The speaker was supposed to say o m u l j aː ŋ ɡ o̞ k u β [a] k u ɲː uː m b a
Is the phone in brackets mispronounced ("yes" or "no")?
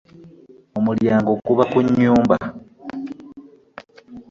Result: no